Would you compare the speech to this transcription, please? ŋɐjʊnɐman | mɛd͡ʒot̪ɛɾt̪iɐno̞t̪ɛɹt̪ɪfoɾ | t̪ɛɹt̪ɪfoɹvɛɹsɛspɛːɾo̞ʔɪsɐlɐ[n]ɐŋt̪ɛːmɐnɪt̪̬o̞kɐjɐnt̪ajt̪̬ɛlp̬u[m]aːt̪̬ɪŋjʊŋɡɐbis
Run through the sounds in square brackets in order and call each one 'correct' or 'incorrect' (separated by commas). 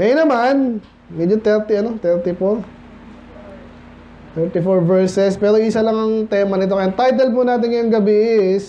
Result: incorrect, incorrect